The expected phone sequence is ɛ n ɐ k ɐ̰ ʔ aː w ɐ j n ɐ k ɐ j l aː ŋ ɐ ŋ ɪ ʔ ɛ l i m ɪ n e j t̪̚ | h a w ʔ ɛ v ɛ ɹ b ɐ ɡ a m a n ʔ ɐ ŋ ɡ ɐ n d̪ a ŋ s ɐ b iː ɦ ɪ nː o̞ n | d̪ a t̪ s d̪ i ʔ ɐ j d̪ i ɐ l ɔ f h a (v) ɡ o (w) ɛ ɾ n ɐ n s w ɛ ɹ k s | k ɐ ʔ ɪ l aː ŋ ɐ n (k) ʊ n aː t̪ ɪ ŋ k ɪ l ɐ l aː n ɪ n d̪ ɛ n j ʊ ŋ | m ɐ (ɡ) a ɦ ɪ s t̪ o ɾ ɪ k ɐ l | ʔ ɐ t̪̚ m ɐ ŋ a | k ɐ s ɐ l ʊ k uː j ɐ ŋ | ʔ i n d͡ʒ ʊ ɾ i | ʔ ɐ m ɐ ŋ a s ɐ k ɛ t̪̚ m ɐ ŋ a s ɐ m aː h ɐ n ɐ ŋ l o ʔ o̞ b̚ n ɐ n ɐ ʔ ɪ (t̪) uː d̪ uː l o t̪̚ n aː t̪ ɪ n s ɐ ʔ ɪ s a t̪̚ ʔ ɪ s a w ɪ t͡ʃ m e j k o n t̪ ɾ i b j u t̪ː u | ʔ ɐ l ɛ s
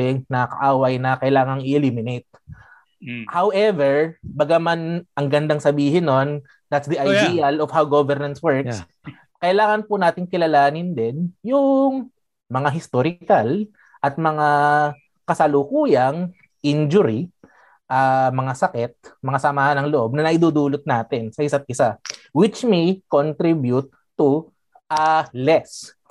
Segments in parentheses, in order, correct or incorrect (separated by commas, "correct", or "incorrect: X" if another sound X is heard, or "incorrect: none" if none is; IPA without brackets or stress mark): incorrect: w, incorrect: v, incorrect: p, incorrect: ŋ, incorrect: d̪